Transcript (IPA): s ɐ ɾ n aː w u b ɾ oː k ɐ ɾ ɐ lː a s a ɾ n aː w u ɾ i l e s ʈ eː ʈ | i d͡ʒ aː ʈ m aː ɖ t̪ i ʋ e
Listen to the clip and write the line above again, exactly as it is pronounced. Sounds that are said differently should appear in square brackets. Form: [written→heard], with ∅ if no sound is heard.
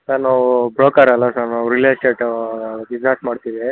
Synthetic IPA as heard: s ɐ ɾ n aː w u b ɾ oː k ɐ ɾ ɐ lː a s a ɾ n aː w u ɾ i l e s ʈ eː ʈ | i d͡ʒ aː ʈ m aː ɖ t̪ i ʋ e